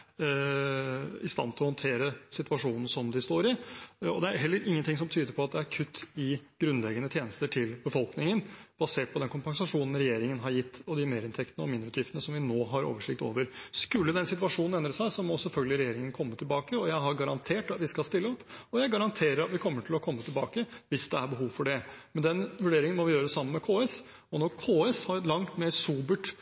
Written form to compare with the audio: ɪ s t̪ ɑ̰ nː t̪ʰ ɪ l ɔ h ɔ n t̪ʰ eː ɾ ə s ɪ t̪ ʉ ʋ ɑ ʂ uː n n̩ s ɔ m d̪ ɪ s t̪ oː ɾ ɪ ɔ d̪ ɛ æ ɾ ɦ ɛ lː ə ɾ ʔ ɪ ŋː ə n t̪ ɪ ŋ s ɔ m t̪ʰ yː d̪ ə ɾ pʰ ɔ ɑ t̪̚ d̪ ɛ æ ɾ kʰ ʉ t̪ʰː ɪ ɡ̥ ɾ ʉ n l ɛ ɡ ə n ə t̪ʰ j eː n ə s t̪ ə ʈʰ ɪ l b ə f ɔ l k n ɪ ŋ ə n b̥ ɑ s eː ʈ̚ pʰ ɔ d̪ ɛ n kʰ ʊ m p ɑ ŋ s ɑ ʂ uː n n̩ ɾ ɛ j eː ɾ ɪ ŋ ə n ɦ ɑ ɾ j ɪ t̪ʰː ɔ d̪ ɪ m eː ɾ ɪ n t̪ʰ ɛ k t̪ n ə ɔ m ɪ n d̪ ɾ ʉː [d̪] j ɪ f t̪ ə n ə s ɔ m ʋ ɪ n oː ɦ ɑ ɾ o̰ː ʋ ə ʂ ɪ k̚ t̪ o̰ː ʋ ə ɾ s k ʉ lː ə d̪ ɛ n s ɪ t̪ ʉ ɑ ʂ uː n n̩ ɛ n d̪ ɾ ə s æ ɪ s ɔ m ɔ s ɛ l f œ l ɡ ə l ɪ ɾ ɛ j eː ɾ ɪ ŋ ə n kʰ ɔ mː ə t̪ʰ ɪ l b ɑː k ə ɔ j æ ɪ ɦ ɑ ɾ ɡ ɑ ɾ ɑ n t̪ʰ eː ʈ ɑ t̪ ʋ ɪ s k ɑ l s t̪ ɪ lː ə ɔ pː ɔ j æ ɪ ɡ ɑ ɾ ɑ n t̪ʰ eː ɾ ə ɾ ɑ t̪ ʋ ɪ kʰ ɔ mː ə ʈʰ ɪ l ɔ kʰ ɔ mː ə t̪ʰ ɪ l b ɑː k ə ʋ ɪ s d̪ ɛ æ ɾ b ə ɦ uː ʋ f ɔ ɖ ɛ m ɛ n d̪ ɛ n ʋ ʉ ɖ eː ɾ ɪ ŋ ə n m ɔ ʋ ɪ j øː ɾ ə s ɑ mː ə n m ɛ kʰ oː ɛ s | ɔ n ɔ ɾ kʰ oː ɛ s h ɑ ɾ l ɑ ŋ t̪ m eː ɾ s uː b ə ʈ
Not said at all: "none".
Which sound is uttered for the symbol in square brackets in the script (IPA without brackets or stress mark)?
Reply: t̪